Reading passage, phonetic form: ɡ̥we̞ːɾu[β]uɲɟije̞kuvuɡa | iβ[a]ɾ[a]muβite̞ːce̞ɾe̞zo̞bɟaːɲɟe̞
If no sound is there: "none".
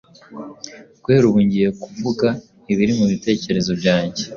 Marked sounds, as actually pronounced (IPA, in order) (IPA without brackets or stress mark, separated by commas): β, i, i